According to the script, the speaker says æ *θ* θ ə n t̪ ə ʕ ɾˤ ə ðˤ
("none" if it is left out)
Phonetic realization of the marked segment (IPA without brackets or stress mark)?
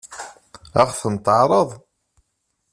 χ